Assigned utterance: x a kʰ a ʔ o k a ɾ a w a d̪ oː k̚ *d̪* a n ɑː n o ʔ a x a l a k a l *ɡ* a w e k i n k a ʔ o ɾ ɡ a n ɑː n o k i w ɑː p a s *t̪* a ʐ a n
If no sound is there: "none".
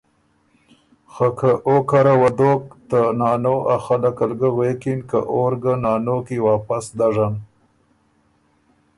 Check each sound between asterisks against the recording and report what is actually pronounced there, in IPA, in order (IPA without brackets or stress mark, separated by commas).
t̪, ɡ, d̪